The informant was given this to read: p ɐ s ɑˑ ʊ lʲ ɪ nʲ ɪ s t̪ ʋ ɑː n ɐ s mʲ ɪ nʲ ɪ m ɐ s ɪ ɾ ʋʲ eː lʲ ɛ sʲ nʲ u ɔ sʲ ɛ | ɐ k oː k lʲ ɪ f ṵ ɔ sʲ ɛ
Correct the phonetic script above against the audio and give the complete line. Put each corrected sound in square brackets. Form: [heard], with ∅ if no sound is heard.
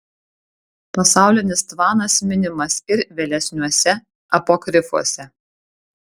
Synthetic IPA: p ɐ s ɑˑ ʊ lʲ ɪ nʲ ɪ s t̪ ʋ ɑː n ɐ s mʲ ɪ nʲ ɪ m ɐ s ɪ ɾ ʋʲ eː lʲ ɛ sʲ nʲ u ɔ sʲ ɛ | ɐ [p] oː k [ɾʲ] ɪ f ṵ ɔ sʲ ɛ